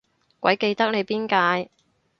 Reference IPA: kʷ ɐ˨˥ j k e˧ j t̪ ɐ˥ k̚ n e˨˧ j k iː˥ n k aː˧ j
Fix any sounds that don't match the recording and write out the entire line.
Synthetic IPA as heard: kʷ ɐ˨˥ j k e˧ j t̪ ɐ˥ k̚ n e˨˧ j p iː˥ n k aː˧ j